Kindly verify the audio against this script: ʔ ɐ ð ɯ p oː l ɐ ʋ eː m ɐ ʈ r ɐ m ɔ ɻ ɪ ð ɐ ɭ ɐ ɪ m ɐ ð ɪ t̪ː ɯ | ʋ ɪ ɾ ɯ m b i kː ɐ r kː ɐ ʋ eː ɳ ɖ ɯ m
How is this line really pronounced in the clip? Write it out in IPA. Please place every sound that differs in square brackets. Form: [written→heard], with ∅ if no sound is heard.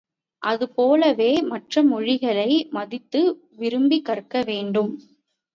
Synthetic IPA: ʔ ɐ ð ɯ p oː l ɐ ʋ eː m ɐ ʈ r ɐ m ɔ ɻ ɪ [ð→ɣ] ɐ ɭ ɐ ɪ m ɐ ð ɪ t̪ː ɯ | ʋ ɪ ɾ ɯ m b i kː ɐ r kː ɐ ʋ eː ɳ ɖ ɯ m